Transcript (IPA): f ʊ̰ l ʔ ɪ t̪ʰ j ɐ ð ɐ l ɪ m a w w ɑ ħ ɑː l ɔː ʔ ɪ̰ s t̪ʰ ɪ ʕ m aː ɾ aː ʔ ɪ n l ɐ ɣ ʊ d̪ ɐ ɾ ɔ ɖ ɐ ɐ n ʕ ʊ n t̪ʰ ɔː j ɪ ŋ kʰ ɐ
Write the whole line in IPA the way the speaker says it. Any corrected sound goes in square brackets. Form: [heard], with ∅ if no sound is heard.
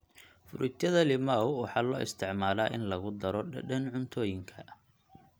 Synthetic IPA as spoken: f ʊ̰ [ɾ] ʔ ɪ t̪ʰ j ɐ ð ɐ l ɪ m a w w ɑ ħ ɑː l ɔː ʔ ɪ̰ s t̪ʰ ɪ ʕ m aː [l] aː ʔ ɪ n l ɐ ɣ ʊ d̪ ɐ ɾ ɔ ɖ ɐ ɐ n ʕ ʊ n t̪ʰ ɔː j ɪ ŋ kʰ ɐ